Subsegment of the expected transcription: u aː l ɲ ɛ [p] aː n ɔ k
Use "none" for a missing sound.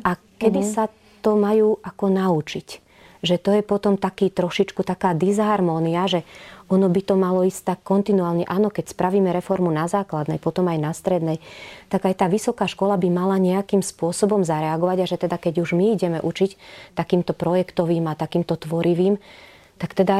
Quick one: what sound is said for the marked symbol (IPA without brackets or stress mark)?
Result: ʔ